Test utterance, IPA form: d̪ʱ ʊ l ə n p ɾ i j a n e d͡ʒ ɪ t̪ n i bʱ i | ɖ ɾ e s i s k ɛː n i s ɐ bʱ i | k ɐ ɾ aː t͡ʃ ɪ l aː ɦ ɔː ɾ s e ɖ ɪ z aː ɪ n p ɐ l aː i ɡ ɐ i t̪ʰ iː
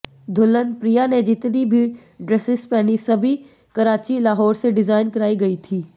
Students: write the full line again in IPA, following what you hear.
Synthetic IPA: d̪ʱ ʊ l ə n p ɾ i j a n e d͡ʒ ɪ t̪ n i bʱ i | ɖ ɾ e s ɪ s p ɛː n i s ɐ bʱ i | k ɐ ɾ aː t͡ʃ i l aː ɦ ɔː ɾ s e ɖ ɪ z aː ɪ n k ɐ ɾ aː i ɡ ɐ i t̪ʰ iː

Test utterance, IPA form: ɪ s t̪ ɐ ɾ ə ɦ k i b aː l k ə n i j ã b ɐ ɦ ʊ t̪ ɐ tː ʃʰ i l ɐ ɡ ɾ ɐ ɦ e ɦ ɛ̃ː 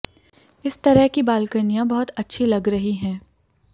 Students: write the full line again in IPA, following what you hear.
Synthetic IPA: ɪ s t̪ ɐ ɾ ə ɦ k i b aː l k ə n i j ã b ɐ ɦ ʊ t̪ ɐ tː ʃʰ i l ɐ ɡ ɾ ɐ ɦ i ɦ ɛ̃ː

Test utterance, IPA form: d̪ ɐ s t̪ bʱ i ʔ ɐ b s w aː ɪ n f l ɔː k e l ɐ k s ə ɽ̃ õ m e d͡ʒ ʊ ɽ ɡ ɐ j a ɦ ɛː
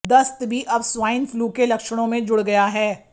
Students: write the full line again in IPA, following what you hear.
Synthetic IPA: d̪ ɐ s t̪ bʱ i ʔ ɐ b s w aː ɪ n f l uː k e l ɐ k ʃ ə ɽ̃ õ m ẽ d͡ʒ ʊ ɽ ɡ ɐ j a ɦ ɛː

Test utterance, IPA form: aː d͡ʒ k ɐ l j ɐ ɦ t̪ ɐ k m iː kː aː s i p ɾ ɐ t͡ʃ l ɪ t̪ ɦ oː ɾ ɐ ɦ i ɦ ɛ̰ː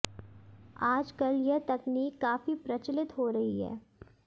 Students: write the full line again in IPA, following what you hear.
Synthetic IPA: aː d͡ʒ k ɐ l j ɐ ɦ t̪ ɐ k n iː kː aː f i p ɾ ɐ t͡ʃ l ɪ t̪ ɦ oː ɾ ɐ ɦ i ɦ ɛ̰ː

